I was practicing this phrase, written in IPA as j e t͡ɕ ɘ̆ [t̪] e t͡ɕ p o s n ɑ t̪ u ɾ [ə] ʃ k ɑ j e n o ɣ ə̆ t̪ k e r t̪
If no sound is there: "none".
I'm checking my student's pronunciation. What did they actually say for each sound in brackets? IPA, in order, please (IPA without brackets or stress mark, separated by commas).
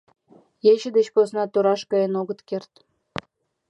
d̪, ɑ